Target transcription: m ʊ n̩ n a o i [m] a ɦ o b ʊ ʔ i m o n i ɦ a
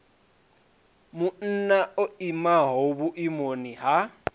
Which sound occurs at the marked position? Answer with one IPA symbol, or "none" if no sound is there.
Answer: m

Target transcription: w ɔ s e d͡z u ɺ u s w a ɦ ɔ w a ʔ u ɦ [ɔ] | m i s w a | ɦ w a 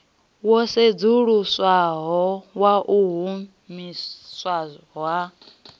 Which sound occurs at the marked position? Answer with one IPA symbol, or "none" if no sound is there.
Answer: u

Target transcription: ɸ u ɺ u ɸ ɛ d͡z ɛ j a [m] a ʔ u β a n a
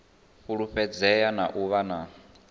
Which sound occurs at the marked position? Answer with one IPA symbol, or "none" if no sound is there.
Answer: n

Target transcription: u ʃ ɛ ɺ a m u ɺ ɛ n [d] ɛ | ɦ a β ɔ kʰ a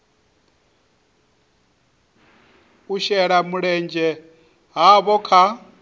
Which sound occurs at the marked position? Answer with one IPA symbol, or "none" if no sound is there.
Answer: d͡ʒ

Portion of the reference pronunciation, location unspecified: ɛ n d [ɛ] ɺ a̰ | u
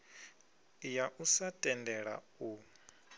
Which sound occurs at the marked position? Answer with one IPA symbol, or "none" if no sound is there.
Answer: ɛ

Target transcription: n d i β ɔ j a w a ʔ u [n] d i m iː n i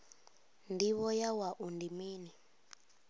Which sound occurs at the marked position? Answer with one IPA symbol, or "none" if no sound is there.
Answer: n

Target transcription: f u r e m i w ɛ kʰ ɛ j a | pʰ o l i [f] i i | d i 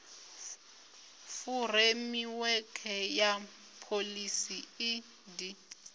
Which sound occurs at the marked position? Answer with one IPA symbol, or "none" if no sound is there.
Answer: s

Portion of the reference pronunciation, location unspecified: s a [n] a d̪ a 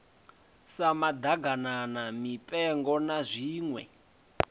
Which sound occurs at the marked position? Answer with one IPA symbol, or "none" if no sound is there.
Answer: m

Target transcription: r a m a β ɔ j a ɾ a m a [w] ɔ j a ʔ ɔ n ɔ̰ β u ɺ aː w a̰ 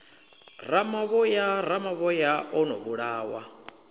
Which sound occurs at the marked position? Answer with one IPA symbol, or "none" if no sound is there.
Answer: β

